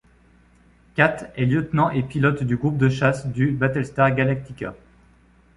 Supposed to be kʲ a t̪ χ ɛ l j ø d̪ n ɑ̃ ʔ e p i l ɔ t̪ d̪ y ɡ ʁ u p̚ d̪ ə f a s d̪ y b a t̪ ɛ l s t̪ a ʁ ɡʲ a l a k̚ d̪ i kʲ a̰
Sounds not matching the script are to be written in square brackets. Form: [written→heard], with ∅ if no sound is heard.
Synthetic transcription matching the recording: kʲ a t̪ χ ɛ l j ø [d̪→t̪] n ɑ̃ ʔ e p i l ɔ t̪ d̪ y ɡ ʁ u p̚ d̪ ə [f→ʃ] a s d̪ y b a t̪ ɛ l s t̪ a ʁ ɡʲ a l a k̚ [d̪→t̪] i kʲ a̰